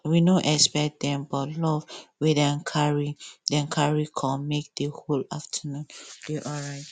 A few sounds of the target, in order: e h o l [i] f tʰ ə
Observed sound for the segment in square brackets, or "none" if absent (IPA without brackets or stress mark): a